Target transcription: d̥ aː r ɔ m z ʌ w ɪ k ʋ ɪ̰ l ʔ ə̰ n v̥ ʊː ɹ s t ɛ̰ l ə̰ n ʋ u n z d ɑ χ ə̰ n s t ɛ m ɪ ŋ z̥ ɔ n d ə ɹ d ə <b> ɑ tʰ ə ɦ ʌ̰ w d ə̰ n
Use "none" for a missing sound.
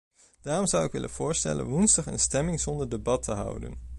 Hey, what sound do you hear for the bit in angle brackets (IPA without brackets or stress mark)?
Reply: b